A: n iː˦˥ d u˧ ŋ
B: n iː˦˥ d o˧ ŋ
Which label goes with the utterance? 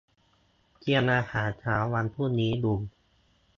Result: A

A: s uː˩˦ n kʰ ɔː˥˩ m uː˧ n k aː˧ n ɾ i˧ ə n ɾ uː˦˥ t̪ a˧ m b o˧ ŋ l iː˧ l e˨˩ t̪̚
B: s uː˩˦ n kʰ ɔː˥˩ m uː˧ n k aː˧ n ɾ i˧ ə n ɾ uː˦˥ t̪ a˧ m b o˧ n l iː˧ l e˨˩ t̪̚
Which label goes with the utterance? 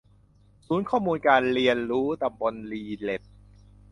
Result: B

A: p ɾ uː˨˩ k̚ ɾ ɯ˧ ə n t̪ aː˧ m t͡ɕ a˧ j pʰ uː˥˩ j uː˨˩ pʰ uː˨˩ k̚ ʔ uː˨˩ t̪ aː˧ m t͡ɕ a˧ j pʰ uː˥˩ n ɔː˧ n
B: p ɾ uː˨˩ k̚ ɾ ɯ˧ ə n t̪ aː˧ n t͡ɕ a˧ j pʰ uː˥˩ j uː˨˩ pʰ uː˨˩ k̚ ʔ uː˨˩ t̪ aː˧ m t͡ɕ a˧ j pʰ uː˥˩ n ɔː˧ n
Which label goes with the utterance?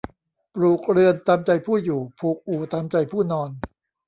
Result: A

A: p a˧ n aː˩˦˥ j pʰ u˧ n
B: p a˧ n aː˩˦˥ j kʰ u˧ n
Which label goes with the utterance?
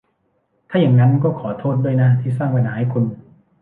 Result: B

